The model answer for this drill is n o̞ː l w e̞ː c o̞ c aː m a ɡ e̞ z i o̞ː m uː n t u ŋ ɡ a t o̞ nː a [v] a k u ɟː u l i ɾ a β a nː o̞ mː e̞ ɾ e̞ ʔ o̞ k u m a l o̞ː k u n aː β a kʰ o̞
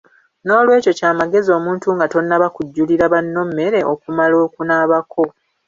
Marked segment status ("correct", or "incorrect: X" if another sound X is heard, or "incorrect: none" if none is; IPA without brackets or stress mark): incorrect: β